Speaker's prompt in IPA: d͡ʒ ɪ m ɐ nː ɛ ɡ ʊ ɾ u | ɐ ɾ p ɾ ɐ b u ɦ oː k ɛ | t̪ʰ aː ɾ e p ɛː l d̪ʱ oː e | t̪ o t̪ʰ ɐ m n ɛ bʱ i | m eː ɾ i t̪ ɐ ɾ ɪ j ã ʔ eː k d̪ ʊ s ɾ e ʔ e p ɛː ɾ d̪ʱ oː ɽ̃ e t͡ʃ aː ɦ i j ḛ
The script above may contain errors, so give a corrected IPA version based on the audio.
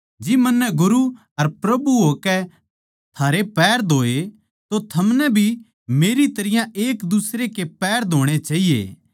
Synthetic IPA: d͡ʒ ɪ m ɐ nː ɛ ɡ ʊ ɾ u | ɐ ɾ p ɾ ɐ b u ɦ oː k ɛ | t̪ʰ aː ɾ e p ɛː ɾ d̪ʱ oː e | t̪ o t̪ʰ ɐ m n ɛ bʱ i | m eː ɾ i t̪ ɐ ɾ ɪ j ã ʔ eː k d̪ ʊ s ɾ e k e p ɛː ɾ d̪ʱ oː ɽ̃ e t͡ʃ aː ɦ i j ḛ